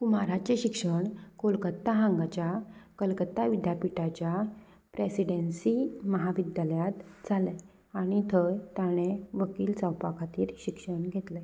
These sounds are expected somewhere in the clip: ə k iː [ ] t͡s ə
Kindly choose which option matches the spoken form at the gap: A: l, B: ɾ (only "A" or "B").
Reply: A